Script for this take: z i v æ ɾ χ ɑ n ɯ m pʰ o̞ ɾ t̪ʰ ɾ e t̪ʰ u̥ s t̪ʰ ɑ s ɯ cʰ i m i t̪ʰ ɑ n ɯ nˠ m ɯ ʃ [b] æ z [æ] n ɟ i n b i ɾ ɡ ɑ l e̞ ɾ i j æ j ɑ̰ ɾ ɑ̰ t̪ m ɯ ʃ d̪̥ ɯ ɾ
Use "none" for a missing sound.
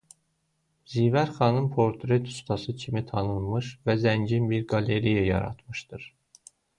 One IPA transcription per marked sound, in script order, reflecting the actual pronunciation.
v, æ

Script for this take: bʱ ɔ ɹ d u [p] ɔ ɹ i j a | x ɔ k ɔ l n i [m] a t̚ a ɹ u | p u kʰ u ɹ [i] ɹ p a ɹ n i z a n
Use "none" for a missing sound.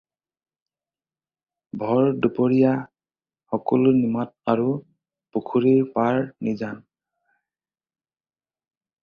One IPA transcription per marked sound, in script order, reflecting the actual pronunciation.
p, m, i

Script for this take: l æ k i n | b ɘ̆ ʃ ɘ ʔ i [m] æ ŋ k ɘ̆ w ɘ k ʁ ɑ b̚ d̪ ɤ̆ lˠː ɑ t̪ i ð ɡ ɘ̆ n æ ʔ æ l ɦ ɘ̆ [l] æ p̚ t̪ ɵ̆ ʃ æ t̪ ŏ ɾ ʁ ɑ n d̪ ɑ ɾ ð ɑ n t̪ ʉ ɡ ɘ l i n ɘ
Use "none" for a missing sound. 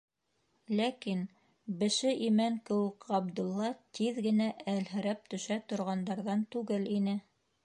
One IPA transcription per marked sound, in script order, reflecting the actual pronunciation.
m, ɾ

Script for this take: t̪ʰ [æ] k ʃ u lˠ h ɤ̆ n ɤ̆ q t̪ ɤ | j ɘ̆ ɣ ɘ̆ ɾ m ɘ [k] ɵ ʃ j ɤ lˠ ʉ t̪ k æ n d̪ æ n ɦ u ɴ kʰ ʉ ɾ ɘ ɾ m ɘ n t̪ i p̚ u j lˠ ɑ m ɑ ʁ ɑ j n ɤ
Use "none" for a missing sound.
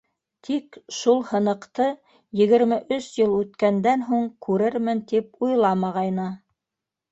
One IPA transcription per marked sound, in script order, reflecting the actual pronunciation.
i, ʔ

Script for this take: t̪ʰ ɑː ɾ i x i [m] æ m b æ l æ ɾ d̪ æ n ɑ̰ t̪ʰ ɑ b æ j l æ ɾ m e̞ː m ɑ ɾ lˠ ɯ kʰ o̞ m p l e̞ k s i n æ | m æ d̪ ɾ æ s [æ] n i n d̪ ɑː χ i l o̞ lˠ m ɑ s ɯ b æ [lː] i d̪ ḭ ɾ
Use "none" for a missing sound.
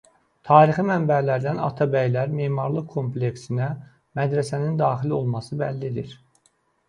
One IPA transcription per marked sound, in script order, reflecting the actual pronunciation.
m, æ, lː

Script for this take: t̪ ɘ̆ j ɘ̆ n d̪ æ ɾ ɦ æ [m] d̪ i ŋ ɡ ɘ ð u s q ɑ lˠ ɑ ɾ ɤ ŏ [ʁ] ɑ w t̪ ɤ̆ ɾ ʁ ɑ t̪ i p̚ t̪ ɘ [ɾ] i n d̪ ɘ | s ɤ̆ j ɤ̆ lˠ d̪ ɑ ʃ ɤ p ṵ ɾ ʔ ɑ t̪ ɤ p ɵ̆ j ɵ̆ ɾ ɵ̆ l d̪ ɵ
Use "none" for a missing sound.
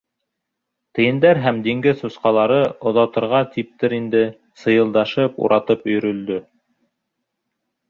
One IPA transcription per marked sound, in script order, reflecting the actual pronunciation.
m, ð, ɾ

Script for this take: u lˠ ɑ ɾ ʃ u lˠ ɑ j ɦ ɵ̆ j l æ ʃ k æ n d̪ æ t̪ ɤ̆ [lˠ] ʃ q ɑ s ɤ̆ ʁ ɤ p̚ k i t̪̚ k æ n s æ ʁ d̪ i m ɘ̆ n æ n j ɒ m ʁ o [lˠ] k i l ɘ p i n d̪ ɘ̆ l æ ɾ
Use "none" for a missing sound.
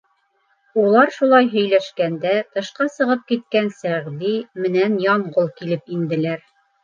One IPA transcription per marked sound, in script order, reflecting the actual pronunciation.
none, lˠ

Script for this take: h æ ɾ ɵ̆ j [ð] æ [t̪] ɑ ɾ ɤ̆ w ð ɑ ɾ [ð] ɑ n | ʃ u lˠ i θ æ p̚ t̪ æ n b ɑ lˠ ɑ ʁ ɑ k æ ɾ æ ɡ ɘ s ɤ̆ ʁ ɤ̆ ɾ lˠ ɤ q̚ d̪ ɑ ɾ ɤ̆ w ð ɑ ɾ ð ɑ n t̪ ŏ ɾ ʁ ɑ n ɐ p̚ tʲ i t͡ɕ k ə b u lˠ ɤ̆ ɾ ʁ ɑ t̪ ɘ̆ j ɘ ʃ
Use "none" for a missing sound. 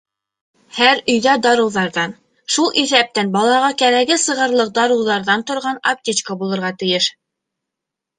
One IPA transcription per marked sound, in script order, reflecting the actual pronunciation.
ð, d̪, ð

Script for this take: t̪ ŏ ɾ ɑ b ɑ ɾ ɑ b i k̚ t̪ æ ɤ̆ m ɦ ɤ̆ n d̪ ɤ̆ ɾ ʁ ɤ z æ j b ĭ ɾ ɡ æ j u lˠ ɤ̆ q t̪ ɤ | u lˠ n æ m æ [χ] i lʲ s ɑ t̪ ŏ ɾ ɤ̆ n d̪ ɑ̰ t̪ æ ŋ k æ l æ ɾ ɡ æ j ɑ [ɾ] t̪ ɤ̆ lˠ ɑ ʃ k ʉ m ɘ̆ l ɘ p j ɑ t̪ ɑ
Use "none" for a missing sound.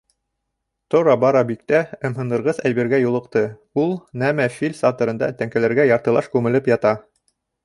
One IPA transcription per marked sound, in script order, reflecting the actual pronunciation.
f, ɾ

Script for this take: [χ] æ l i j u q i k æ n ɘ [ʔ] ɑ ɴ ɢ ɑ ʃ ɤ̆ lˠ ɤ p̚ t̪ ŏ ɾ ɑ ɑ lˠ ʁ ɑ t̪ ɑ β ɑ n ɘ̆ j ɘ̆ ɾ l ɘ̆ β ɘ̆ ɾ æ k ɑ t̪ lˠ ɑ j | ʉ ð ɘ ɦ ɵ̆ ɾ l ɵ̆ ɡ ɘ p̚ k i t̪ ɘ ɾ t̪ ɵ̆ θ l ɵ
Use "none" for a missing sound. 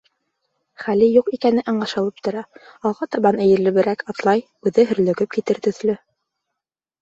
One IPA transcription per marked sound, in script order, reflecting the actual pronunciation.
χ, ʔ

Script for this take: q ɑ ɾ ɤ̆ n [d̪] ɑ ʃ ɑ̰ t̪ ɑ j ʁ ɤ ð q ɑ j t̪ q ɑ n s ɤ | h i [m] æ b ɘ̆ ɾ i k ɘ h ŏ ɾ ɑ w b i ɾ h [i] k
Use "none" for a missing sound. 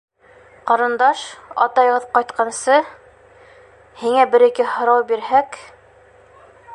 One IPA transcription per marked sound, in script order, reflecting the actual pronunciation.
d̪, ŋ, æ

